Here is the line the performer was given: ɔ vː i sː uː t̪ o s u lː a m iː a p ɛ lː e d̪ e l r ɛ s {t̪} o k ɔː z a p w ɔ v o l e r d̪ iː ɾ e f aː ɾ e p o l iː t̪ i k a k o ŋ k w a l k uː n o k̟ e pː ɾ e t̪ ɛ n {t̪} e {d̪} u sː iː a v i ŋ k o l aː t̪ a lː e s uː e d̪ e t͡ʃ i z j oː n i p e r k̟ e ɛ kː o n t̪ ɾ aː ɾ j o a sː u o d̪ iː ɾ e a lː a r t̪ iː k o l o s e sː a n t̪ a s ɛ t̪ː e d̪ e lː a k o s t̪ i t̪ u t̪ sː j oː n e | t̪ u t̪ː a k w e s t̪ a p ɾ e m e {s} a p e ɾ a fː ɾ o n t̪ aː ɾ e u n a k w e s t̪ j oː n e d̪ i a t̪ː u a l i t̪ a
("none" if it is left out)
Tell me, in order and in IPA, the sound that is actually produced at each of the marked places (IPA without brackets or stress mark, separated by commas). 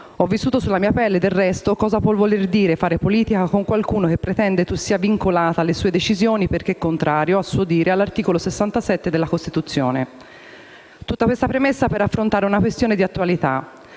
t̪, d̪, t̪, sː